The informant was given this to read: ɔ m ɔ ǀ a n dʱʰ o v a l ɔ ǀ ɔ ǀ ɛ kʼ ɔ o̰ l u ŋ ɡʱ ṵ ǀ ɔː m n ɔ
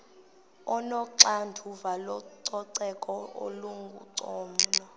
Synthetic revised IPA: ɔ n ɔ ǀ a n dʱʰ u v a l ɔ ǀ ɔ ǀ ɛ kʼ ɔ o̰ l u ŋ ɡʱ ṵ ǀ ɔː m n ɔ